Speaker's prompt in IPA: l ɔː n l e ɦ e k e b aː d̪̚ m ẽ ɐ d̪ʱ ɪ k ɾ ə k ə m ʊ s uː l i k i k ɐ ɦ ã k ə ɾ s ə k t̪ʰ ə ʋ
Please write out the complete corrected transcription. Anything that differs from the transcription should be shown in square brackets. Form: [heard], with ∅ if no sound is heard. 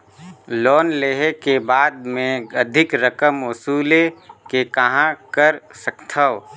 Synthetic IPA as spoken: l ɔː n l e ɦ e k e b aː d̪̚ m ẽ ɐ d̪ʱ ɪ k ɾ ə k ə m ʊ s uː l [e] k [e] k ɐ ɦ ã k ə ɾ s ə k t̪ʰ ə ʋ